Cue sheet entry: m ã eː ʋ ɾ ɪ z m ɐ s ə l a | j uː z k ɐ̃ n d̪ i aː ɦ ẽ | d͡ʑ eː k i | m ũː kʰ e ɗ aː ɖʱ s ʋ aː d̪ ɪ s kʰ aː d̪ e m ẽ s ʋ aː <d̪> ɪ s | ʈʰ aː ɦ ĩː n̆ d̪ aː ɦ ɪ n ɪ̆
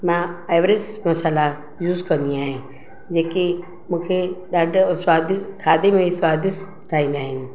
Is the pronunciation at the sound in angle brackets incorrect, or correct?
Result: correct